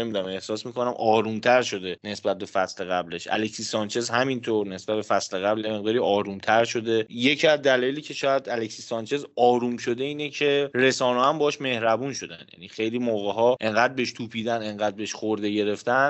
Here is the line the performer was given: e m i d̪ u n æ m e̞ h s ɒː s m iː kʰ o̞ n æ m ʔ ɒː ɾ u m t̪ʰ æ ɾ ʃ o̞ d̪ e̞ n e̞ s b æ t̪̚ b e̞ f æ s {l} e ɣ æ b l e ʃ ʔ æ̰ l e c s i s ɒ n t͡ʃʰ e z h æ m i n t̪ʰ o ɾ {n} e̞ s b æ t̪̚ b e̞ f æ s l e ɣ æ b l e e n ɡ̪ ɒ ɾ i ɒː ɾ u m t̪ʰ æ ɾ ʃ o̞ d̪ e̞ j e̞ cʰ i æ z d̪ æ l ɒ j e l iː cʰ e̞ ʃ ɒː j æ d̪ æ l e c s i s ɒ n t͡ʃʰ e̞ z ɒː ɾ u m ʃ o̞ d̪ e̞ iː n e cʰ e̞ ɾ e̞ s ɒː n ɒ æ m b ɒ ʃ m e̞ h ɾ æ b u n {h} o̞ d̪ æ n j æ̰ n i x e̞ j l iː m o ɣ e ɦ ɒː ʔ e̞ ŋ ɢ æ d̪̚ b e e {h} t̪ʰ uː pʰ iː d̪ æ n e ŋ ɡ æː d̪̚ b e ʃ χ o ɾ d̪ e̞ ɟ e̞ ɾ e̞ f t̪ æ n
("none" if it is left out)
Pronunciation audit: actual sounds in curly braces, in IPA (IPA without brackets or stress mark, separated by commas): l, n, ʃ, ʃ